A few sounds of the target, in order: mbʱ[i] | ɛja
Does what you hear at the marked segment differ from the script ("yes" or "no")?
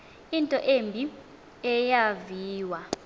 no